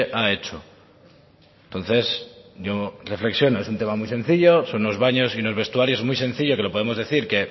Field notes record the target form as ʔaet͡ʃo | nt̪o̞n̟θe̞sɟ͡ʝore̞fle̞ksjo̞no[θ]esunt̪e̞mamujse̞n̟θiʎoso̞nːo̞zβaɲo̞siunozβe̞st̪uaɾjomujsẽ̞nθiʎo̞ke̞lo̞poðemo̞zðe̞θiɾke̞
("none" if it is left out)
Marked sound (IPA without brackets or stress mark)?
none